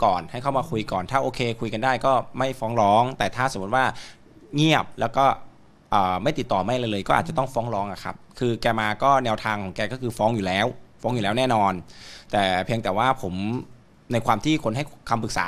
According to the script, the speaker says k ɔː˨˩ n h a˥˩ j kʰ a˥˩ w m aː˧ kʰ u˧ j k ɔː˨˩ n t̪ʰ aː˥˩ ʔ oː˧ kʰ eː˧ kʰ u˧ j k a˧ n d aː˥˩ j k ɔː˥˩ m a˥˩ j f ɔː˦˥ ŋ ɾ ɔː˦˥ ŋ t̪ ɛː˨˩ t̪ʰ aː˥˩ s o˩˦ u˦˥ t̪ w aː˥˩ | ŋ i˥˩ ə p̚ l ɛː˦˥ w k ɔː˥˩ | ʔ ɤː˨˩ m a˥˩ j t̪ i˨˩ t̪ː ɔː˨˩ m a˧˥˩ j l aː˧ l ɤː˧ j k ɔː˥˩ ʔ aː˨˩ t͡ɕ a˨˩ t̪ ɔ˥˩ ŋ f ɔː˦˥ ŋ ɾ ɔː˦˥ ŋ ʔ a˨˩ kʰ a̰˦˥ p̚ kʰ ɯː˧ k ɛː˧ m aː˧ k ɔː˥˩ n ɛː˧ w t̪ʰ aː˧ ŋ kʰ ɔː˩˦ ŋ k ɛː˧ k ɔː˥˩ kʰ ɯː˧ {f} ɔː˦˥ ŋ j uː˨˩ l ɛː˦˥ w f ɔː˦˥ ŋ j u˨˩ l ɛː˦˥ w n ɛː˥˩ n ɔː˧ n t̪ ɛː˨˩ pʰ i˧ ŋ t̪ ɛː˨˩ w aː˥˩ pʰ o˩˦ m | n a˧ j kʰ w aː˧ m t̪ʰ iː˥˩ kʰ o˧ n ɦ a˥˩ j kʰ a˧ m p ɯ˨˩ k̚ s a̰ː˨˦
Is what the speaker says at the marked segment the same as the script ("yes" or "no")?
yes